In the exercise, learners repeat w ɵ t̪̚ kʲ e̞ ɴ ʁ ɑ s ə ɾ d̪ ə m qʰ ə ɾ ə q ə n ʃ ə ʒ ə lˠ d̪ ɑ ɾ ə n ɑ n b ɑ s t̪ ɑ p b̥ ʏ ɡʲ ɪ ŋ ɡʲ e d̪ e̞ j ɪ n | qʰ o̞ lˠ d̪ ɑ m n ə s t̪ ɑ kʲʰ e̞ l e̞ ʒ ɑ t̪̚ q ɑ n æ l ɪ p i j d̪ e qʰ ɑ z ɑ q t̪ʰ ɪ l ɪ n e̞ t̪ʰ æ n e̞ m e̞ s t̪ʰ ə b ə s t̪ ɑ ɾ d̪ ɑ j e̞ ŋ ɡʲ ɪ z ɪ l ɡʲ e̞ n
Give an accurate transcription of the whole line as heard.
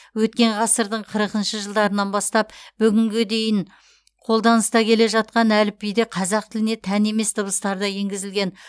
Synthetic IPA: w ɵ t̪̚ kʲ e̞ ɴ ʁ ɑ s ə ɾ d̪ ə ɴ qʰ ə ɾ ə q ə n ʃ ə ʒ ə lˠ d̪ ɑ ɾ ə n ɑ n b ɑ s t̪ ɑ p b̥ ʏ ɡʲ ɪ ŋ ɡʲ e d̪ e̞ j ɪ n | qʰ o̞ lˠ d̪ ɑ n ə s t̪ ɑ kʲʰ e̞ l e̞ ʒ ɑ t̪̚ q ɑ n æ l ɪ p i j d̪ e qʰ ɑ z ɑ q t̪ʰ ɪ l ɪ n e̞ t̪ʰ æ n e̞ m e̞ s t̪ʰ ə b ə s t̪ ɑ ɾ d̪ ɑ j e̞ ŋ ɡʲ ɪ z ɪ l ɡʲ e̞ n